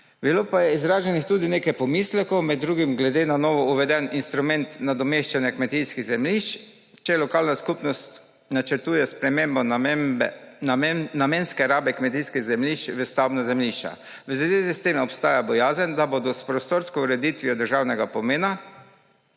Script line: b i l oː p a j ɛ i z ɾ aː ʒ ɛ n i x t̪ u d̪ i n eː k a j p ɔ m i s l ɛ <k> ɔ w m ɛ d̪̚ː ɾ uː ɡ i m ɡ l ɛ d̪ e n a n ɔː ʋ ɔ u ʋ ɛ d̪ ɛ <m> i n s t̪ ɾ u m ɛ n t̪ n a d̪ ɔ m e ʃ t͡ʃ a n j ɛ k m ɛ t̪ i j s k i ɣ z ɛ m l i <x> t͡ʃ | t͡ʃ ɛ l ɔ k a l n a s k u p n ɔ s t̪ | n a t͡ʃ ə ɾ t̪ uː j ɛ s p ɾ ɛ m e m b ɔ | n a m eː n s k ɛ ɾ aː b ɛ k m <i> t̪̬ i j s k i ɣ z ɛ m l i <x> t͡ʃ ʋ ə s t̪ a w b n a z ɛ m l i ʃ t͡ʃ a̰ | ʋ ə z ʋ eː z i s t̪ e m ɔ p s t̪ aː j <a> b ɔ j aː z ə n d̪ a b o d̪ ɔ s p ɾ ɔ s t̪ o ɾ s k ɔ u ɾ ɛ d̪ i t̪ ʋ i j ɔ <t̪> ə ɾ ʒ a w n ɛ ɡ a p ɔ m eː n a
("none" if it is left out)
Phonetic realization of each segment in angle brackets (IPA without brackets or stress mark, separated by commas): k, n, ʃ, ɛ, ʃ, a, d̪